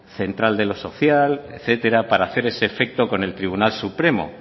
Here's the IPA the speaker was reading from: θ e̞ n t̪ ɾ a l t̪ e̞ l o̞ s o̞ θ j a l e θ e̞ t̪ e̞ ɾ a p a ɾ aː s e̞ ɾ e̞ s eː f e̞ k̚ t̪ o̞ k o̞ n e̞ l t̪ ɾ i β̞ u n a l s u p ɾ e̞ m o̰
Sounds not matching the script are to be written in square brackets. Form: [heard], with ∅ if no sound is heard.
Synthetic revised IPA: θ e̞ n t̪ ɾ a l [d̪] e̞ l o̞ s o̞ θ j a l e θ e̞ t̪ e̞ ɾ a p a ɾ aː [θ] e̞ ɾ e̞ s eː f e̞ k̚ t̪ o̞ k o̞ n e̞ l t̪ ɾ i β̞ u n a l s u p ɾ e̞ m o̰